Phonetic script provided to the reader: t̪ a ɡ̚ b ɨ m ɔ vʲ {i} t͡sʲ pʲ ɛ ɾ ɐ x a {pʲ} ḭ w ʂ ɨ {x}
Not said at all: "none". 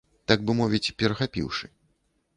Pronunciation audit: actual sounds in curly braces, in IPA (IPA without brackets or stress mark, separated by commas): i, pʲ, none